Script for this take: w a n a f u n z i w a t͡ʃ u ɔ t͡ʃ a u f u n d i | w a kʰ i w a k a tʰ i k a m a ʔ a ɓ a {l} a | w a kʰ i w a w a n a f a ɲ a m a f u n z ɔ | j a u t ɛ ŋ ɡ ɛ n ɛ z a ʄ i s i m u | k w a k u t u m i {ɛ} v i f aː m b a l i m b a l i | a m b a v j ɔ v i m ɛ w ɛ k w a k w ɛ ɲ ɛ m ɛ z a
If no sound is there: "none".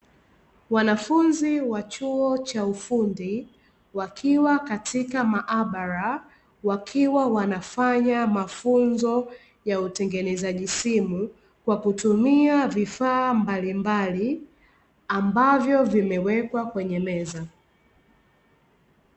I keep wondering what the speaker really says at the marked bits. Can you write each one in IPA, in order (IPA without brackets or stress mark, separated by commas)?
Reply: ɾ, a